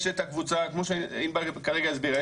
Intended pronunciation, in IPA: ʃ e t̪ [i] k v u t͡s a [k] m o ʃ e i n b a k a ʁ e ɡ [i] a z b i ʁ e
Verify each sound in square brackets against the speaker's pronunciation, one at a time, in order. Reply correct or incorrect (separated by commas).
incorrect, correct, incorrect